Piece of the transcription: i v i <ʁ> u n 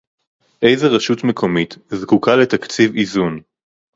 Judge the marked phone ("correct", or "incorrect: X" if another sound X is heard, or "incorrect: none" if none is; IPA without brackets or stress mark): incorrect: z